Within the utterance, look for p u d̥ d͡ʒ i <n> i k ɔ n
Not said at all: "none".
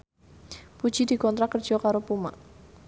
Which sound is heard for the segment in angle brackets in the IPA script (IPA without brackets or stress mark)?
d